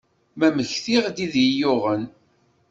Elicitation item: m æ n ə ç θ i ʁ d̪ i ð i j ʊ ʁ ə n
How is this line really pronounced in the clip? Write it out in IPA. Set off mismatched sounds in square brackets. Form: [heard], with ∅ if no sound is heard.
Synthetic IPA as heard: m æ [m] ə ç θ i ʁ d̪ i ð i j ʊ ʁ ə n